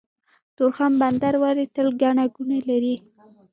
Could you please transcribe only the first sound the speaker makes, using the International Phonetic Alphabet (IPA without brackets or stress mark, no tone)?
t̪